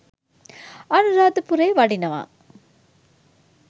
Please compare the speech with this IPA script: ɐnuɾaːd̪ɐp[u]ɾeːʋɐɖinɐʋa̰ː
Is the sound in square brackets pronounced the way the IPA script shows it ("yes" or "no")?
yes